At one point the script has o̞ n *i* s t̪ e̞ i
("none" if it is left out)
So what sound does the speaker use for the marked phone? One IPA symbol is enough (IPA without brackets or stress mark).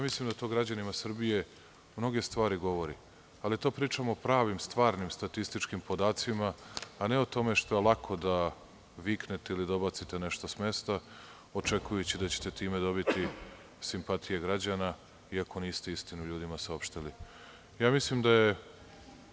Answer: iː